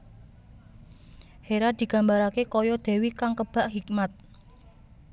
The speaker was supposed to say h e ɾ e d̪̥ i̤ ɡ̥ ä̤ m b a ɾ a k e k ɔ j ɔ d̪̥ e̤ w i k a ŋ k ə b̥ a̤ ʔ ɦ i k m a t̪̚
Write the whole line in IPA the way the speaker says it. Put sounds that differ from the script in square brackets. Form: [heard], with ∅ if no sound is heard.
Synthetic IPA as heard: h e ɾ [a] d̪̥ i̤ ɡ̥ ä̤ m b a ɾ a k e k ɔ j ɔ d̪̥ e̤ w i k a ŋ k ə b̥ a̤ ʔ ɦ i k m a t̪̚